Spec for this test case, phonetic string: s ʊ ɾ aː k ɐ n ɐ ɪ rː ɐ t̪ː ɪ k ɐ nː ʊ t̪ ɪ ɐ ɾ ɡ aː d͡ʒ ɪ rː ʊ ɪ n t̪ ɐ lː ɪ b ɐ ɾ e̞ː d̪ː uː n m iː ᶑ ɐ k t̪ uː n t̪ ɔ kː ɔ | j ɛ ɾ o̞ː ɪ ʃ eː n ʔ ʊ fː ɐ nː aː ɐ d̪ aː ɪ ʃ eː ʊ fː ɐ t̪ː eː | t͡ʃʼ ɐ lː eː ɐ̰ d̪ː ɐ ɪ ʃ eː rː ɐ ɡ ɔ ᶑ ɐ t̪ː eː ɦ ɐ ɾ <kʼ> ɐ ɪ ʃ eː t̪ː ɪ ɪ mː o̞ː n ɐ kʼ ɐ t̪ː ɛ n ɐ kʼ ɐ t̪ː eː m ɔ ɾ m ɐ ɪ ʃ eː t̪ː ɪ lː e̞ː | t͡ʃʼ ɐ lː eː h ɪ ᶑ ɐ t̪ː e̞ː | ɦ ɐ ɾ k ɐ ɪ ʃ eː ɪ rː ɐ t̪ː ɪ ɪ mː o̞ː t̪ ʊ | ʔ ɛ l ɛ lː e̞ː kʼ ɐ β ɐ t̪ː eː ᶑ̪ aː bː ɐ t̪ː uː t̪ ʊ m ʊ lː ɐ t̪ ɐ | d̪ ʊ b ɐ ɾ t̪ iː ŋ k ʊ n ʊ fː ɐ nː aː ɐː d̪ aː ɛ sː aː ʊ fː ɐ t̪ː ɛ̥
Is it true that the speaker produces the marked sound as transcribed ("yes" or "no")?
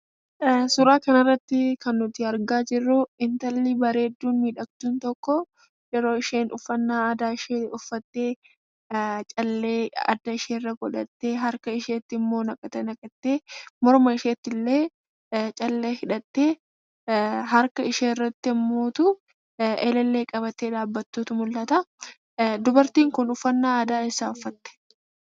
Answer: no